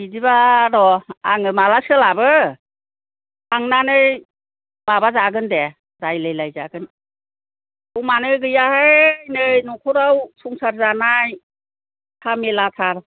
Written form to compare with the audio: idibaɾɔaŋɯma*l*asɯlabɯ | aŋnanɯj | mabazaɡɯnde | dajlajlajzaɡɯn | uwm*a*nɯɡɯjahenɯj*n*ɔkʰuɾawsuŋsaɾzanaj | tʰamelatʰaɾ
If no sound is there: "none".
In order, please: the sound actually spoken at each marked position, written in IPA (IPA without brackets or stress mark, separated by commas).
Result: l, a, n